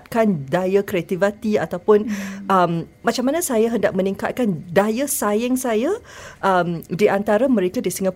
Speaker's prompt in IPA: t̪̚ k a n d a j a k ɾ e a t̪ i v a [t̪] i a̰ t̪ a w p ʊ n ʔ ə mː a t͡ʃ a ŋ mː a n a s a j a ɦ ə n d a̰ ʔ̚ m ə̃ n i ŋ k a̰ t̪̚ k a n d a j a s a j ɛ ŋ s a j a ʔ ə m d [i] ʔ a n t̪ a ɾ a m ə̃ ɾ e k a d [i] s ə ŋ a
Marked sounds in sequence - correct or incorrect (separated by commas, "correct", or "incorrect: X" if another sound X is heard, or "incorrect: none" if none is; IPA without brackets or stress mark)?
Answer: correct, correct, correct